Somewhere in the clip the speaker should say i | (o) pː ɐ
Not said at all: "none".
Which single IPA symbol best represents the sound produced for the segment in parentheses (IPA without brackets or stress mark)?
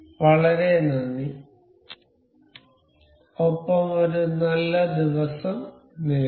o